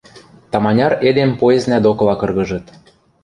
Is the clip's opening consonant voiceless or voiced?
voiceless